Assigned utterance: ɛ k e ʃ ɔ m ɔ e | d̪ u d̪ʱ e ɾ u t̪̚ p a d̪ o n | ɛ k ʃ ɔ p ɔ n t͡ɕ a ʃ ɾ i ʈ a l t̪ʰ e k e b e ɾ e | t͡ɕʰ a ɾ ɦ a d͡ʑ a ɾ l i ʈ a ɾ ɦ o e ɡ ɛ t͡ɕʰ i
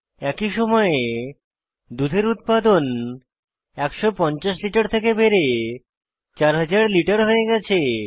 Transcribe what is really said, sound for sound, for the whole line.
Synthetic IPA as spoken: ɛ k i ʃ ɔ m ɔ e | d̪ u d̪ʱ e ɾ u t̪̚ p a d̪ o n | ɛ k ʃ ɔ p ɔ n t͡ɕ a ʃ l i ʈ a ɾ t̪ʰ e k e b e ɾ e | t͡ɕ a ɾ ɦ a d͡ʑ a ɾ l i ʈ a ɾ ɦ o e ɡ ɛ t͡ɕʰ e